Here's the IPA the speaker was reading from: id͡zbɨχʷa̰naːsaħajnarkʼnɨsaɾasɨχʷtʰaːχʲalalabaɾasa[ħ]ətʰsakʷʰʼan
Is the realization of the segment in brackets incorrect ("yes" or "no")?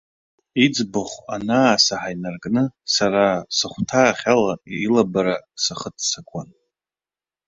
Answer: yes